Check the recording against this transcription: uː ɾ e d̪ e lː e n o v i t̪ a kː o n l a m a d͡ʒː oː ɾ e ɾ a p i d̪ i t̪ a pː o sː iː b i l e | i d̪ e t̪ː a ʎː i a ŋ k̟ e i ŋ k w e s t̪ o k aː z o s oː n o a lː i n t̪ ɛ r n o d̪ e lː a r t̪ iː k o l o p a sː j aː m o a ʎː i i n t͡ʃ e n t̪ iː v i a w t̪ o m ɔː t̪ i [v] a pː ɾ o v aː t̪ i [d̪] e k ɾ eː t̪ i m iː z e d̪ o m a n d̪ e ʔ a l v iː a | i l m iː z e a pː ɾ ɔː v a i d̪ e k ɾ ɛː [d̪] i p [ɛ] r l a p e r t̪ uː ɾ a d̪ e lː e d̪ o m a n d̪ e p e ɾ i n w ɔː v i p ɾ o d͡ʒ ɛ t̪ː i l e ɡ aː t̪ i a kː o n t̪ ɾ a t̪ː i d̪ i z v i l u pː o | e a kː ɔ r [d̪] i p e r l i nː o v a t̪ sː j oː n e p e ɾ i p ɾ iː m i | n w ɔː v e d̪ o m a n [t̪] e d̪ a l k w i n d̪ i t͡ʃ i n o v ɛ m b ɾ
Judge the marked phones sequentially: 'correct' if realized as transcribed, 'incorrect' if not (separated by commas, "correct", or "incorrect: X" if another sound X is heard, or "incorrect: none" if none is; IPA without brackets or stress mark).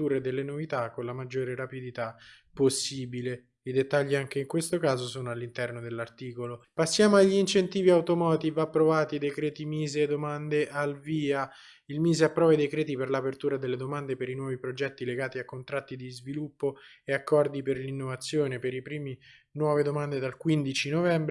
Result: correct, correct, incorrect: t̪, incorrect: e, correct, incorrect: d̪